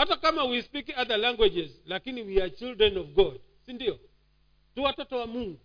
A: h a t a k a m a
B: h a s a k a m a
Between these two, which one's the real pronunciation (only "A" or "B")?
A